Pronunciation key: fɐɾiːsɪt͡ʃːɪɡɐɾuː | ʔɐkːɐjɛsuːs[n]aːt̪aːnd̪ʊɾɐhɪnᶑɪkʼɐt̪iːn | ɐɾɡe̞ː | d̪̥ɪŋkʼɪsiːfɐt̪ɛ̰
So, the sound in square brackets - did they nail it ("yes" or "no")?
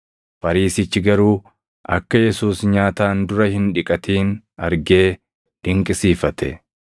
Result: no